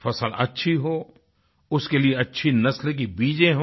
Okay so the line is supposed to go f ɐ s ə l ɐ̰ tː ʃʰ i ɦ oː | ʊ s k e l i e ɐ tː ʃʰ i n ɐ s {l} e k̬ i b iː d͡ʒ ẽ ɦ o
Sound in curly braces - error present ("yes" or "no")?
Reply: no